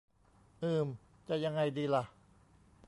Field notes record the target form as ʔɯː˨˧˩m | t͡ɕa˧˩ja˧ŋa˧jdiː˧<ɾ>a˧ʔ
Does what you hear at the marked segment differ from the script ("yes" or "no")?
yes